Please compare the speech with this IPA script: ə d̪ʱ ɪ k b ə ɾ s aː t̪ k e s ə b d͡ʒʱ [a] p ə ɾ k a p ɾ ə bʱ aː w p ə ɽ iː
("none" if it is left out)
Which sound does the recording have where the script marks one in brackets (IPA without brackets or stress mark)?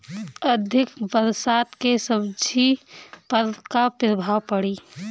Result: i